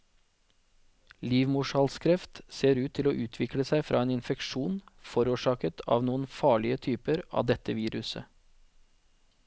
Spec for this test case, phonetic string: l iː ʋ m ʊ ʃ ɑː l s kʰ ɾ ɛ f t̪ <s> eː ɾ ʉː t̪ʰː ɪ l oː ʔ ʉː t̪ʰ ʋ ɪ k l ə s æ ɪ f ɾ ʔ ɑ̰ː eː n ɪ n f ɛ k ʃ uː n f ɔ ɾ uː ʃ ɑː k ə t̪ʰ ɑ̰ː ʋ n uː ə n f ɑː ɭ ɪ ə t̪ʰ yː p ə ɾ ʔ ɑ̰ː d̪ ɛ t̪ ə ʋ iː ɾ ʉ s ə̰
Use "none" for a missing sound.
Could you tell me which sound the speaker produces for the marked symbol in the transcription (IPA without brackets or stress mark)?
s